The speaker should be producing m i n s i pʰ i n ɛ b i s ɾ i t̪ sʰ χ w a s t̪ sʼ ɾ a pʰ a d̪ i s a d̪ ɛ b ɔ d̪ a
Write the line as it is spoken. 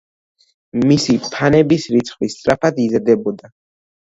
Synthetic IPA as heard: m i s i pʰ a n ɛ b i s ɾ i t̪ sʰ χ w i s t̪ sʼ ɾ a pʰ a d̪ i z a d̪ ɛ b ɔ d̪ a